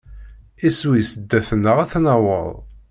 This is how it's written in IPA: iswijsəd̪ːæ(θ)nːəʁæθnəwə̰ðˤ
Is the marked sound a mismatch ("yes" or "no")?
no